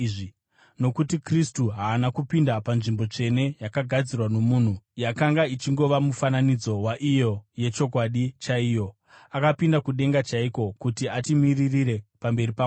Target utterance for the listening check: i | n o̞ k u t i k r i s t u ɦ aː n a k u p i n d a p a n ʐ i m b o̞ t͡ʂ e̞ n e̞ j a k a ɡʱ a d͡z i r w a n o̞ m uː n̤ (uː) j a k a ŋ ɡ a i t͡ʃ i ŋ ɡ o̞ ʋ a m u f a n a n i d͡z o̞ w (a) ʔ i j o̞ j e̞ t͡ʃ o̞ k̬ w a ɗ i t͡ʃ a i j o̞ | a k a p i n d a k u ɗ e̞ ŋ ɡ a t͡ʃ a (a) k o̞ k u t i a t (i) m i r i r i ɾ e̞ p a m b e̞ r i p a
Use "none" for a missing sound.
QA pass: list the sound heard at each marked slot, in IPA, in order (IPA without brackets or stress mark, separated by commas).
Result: u, a, i, i